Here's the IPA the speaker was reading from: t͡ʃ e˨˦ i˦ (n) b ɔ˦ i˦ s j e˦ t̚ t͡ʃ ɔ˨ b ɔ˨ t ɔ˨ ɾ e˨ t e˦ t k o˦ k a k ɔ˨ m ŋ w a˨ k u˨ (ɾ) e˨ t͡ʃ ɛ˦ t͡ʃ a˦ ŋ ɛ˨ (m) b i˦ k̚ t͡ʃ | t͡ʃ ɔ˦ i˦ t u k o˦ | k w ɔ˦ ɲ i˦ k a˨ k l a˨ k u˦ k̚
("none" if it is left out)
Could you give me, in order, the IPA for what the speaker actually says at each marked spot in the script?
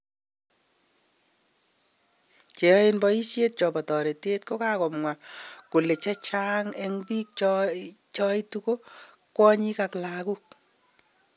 n, l, ŋ

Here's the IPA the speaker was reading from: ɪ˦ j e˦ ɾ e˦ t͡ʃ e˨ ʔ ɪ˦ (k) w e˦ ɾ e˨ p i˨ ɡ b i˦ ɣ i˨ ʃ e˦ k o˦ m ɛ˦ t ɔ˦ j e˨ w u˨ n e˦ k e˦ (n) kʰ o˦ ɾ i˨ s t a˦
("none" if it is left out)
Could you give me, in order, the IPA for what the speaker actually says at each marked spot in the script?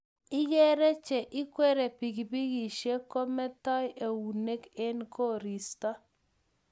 k, n

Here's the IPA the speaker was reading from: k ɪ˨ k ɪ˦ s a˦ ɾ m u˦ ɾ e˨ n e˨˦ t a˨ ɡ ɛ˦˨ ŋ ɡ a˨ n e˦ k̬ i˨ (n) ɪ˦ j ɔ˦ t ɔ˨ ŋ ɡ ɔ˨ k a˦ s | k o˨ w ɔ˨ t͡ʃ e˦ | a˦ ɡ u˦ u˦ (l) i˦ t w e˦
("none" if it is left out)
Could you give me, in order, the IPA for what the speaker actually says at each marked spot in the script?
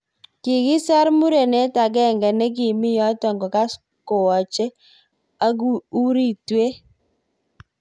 m, ɾ

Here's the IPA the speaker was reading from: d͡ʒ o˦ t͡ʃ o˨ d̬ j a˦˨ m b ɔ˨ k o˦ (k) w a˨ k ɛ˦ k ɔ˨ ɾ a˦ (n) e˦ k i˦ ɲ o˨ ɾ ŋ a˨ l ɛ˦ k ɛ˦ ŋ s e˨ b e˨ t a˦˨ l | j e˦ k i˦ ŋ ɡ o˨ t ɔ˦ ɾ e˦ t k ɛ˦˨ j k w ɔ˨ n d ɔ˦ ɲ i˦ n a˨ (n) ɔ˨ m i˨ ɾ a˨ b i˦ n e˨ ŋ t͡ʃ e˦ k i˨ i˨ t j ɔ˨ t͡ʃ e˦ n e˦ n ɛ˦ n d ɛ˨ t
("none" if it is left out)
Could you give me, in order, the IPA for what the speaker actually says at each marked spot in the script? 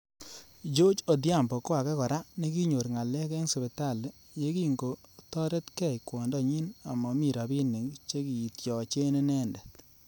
none, n, m

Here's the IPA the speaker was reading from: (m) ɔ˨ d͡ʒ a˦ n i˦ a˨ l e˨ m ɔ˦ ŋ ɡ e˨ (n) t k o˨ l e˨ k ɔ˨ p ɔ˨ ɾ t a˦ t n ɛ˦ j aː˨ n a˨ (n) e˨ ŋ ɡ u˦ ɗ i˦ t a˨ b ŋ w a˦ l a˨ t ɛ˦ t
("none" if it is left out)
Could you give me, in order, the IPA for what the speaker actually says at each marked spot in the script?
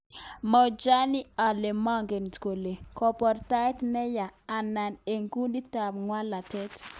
m, n, n

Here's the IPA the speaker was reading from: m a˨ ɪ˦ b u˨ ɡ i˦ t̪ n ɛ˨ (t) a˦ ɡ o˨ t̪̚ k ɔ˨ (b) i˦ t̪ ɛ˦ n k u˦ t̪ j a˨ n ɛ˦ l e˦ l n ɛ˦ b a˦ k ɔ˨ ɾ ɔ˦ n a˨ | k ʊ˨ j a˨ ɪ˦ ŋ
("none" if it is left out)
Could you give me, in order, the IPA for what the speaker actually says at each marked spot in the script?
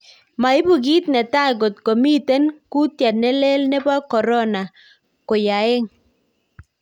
t, m

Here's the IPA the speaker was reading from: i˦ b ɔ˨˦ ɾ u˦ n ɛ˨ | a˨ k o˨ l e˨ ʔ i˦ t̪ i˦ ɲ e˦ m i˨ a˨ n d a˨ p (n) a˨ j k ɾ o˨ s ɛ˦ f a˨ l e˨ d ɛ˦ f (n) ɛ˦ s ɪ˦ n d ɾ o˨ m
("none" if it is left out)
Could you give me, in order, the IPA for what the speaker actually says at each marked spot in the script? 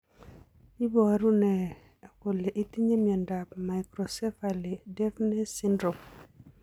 m, n

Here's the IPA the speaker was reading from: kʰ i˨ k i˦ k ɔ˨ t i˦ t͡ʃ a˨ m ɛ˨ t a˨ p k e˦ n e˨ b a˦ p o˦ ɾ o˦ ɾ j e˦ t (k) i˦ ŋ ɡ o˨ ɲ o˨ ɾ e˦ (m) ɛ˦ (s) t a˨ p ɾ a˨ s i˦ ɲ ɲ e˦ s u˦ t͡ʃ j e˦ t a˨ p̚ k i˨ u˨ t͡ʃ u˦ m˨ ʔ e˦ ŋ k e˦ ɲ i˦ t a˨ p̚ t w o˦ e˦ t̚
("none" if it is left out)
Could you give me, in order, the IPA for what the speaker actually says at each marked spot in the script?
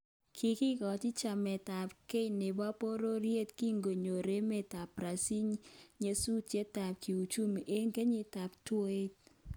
k, m, none

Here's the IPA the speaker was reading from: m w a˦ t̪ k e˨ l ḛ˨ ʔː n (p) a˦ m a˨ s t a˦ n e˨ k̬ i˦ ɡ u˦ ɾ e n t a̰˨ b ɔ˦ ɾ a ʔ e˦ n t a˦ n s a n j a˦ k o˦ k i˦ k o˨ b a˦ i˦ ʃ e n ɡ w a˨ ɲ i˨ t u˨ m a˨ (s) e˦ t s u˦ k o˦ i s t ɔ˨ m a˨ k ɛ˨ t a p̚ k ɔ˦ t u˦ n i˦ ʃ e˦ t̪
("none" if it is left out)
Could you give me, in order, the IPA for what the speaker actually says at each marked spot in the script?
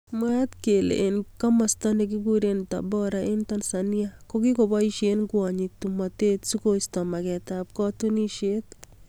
k, t

